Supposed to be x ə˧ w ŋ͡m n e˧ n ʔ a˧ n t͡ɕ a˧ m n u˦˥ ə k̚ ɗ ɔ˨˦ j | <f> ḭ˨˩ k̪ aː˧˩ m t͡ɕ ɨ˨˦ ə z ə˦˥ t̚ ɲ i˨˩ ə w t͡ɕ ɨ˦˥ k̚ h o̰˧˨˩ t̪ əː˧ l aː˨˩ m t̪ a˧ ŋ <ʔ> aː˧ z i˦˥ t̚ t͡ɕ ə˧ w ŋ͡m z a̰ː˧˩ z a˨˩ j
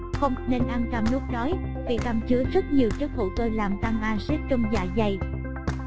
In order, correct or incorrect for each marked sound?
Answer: incorrect: v, correct

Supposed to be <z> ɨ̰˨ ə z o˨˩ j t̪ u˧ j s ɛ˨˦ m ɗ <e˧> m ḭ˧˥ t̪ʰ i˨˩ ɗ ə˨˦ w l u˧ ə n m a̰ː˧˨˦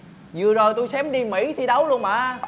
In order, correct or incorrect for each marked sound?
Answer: correct, incorrect: i˧

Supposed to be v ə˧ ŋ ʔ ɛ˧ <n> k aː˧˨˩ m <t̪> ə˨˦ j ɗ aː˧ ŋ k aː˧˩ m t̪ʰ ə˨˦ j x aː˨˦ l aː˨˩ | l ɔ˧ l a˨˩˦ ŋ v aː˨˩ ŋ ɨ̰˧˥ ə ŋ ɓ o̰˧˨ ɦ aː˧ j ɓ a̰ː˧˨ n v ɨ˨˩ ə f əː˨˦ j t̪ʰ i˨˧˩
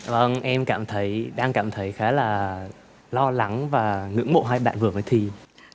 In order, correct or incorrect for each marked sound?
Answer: incorrect: m, incorrect: t̪ʰ

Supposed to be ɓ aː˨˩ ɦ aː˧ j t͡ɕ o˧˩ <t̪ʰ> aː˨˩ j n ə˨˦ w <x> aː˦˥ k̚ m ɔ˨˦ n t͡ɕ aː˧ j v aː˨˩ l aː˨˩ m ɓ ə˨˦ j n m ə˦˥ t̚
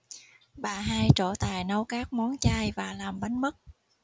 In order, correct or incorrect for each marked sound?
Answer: incorrect: t̪, incorrect: k

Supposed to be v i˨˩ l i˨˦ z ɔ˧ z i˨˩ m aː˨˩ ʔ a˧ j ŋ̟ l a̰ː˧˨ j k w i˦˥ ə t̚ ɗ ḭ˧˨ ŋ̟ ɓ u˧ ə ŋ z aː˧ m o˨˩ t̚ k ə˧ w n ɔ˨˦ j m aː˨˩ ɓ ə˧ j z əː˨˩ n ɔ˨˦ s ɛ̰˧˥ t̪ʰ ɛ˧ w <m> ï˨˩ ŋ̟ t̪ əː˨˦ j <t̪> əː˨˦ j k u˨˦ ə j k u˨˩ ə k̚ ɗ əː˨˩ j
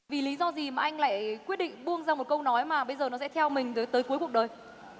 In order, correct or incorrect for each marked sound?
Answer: correct, correct

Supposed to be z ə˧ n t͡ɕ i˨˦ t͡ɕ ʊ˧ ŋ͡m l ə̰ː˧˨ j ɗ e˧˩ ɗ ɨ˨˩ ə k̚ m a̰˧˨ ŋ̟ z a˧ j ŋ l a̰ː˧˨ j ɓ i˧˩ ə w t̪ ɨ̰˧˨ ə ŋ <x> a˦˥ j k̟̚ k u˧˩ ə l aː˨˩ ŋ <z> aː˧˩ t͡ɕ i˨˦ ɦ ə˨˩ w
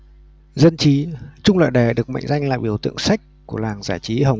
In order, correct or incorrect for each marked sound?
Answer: incorrect: s, correct

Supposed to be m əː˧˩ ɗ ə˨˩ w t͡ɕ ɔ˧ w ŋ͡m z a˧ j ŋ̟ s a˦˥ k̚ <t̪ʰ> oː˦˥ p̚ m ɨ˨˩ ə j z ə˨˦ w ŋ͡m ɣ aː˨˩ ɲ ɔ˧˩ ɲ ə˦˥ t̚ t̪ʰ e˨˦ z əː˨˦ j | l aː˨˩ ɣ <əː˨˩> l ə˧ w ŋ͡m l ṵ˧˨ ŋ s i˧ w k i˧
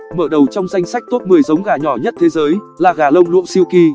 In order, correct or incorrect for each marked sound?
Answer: incorrect: t̪, incorrect: aː˨˩

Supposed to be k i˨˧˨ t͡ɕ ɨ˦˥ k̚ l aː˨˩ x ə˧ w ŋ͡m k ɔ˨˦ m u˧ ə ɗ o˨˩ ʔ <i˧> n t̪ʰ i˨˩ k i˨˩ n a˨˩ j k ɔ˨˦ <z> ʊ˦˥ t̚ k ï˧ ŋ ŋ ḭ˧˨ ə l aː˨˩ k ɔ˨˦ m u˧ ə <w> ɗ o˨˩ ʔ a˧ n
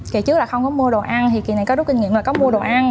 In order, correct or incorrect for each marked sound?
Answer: incorrect: a˧, correct, incorrect: none

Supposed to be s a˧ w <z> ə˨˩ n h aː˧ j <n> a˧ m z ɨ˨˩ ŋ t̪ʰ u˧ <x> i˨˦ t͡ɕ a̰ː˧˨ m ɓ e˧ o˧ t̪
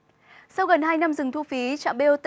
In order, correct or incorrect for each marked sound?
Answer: incorrect: ɣ, correct, incorrect: f

